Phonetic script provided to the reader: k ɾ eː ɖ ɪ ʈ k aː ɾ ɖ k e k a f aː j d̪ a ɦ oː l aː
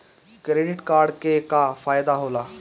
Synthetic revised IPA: k ɾ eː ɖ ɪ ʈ k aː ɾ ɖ k e k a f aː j d̪ a ɦ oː l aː